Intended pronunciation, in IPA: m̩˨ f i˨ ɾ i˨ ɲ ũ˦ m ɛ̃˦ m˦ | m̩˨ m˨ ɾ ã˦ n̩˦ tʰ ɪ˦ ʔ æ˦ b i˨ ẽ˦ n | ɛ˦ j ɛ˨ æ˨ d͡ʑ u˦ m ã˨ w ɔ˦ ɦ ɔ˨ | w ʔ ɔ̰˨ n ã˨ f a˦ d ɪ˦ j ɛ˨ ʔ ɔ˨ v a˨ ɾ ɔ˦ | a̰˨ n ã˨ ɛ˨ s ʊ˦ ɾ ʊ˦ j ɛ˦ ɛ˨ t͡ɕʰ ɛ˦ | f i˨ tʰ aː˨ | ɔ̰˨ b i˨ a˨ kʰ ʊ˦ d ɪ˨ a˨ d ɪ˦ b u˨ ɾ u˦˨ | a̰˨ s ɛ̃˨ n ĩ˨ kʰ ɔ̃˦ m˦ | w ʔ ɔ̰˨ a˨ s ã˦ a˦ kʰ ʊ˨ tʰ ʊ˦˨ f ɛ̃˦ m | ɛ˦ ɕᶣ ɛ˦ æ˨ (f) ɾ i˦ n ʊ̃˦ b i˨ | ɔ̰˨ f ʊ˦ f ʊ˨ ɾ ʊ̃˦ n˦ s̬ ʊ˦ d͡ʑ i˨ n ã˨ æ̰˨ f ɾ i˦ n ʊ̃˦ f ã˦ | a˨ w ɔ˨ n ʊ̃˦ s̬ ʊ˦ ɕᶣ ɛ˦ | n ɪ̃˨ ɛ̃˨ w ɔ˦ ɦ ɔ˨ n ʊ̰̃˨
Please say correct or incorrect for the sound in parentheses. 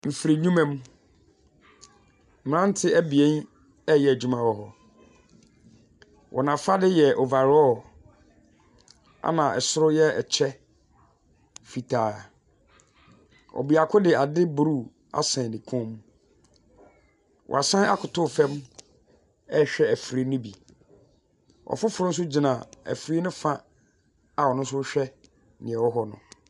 correct